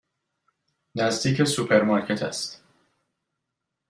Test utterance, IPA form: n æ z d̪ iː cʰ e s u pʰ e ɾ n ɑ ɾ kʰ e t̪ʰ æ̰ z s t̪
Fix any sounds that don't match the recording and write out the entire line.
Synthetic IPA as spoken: n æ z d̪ iː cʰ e s u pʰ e ɾ m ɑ ɾ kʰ e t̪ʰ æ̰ s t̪